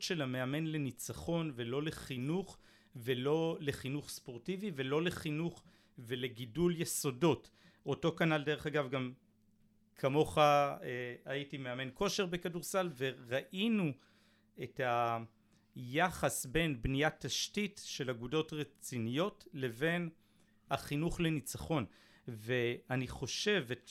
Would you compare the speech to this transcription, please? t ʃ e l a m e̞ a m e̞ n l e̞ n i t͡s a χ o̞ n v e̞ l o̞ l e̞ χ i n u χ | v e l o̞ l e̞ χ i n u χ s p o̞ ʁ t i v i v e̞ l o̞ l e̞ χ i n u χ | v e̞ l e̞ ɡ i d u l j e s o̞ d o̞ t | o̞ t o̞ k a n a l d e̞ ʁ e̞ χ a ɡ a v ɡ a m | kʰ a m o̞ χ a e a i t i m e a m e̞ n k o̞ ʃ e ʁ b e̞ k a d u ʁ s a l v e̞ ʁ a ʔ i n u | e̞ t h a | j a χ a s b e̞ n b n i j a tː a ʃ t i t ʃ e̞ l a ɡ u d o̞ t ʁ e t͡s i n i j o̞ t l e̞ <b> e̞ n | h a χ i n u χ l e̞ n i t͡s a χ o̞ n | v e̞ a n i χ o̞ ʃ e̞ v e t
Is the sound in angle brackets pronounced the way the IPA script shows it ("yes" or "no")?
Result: no